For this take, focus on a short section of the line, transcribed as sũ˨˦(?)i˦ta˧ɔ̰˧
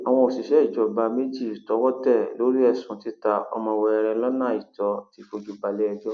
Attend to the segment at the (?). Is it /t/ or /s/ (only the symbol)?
t